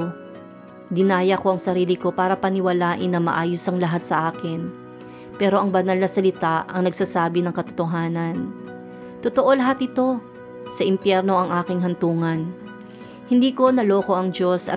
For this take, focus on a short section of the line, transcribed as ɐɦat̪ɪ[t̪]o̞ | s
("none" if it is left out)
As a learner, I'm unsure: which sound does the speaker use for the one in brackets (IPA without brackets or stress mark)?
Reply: t̪